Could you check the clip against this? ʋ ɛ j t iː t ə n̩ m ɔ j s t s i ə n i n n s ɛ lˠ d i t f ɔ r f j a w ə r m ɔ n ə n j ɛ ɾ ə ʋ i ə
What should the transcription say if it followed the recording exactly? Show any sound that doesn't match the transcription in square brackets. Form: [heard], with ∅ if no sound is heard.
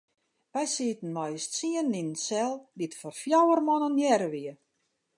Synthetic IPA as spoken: ʋ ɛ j [s] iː t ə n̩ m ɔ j s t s i ə n i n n s ɛ lˠ d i t f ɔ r f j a w ə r m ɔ n ə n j ɛ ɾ ə ʋ i ə